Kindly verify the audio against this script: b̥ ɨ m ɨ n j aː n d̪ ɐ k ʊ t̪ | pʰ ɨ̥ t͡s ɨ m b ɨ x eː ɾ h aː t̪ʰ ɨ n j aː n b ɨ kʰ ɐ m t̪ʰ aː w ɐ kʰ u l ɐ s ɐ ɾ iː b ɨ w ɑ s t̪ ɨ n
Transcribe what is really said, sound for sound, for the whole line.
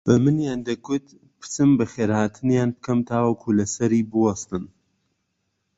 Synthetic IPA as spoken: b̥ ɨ m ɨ n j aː n d̪ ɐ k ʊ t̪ | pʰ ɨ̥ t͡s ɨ m b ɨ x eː ɾ h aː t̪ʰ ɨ n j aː n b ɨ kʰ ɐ m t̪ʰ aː w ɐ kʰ u l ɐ s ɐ ɾ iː b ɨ w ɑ s t̪ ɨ n